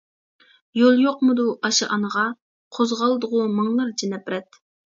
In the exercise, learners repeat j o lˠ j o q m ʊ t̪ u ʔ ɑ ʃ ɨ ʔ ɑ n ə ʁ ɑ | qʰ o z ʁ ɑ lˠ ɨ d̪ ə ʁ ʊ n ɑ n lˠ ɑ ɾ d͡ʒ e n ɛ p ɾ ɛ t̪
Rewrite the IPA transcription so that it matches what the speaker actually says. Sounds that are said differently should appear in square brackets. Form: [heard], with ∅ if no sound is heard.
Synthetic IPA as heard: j o lˠ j o q m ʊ [d̪] u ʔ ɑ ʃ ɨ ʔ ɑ n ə ʁ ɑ | qʰ o z ʁ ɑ lˠ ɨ d̪ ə ʁ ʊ [m] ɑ [ŋ] lˠ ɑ ɾ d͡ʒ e n ɛ p ɾ ɛ t̪